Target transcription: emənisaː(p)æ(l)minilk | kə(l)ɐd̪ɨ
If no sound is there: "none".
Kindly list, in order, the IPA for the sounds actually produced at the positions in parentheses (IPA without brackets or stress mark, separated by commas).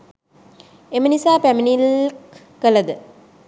p, none, l